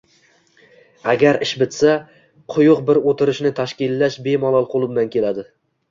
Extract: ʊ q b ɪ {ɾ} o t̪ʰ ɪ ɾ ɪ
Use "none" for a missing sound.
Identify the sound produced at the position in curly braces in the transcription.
ɾ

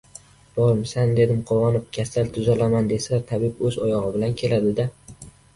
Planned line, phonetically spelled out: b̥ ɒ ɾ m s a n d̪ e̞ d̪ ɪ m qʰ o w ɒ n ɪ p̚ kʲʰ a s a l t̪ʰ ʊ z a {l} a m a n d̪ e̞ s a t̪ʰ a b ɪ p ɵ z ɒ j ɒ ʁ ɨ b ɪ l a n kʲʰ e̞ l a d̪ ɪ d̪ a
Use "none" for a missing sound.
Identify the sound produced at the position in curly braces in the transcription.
l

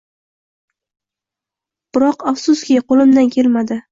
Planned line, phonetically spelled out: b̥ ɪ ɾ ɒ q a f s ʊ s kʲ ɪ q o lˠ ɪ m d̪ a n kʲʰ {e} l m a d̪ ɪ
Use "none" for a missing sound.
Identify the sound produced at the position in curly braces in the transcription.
e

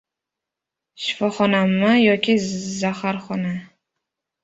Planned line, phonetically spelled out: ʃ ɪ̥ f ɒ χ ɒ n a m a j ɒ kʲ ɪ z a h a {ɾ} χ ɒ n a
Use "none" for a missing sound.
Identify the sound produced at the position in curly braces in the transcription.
ɾ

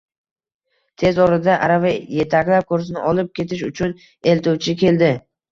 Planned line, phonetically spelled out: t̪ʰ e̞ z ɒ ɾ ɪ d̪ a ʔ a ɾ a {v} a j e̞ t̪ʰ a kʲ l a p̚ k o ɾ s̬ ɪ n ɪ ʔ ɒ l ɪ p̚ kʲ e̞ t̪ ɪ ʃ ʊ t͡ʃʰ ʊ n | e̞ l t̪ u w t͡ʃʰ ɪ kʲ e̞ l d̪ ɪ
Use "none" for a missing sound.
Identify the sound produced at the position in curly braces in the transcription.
v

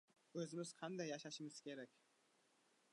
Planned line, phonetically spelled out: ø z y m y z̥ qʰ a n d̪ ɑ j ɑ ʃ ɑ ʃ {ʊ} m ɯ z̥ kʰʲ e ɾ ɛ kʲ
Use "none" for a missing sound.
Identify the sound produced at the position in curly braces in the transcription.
ɯ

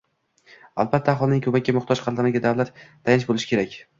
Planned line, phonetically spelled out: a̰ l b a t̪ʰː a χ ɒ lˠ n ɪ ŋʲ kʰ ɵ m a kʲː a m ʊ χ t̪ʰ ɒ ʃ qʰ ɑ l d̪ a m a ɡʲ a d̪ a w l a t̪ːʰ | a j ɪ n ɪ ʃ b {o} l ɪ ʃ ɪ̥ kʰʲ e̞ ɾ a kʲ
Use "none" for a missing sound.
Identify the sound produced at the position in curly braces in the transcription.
o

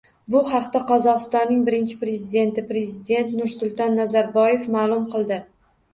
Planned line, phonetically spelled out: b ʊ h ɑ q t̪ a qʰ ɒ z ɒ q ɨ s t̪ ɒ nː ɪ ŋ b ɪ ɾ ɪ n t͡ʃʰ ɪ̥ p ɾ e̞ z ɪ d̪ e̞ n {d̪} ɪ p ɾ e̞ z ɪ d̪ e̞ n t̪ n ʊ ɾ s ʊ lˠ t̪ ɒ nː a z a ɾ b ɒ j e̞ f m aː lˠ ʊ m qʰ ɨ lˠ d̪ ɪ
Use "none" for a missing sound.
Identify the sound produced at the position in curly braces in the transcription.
t̪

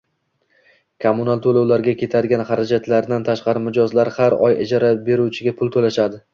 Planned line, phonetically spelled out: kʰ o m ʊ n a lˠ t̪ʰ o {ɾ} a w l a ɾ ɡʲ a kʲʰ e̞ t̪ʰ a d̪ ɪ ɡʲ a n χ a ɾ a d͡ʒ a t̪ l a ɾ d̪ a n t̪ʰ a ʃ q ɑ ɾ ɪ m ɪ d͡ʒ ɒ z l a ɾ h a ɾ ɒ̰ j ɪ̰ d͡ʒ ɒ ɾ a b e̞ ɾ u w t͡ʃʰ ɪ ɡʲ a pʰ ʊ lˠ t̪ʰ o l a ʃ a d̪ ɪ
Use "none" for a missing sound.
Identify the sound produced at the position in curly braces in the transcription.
l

